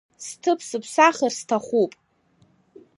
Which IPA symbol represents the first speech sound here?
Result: s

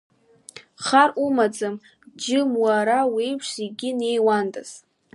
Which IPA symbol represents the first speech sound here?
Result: χ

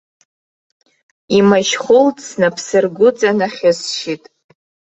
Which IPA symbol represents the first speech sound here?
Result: i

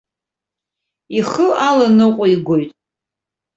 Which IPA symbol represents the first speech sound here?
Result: i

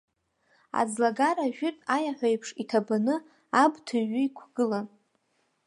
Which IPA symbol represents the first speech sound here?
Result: a̰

